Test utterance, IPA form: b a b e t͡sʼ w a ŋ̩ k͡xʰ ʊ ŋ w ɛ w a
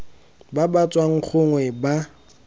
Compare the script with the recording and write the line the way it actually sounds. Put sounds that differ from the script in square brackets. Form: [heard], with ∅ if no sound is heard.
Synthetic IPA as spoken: b a b [a] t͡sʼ w a ŋ̩ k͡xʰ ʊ ŋ w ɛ [b] a